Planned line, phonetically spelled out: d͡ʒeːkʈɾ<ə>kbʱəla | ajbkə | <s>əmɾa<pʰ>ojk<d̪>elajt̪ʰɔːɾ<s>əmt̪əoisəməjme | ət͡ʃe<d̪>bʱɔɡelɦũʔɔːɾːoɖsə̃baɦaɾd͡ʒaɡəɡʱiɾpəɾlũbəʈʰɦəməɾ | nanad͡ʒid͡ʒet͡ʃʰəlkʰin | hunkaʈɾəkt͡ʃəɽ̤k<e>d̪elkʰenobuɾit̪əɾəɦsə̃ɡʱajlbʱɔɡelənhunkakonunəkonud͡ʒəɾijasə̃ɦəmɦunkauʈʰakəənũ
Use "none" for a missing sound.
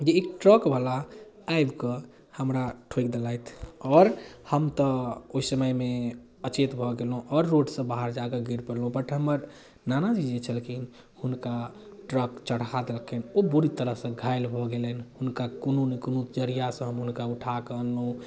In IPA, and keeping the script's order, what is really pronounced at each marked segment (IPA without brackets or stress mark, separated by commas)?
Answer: ə, h, ʈʰ, d̪, h, t̪, a